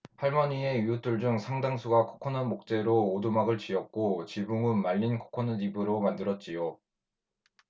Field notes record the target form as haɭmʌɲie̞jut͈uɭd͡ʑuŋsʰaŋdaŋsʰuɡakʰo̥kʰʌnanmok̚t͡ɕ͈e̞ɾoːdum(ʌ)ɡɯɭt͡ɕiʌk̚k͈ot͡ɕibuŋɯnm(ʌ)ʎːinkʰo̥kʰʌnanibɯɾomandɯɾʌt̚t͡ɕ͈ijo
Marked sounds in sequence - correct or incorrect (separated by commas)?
incorrect, incorrect